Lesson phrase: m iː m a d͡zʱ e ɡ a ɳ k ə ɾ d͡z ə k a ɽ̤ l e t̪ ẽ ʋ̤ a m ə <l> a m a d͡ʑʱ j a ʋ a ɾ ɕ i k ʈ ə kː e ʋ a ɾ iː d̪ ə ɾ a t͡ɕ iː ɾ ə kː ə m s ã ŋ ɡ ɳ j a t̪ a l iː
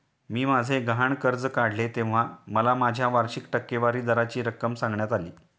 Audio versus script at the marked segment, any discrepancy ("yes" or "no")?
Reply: no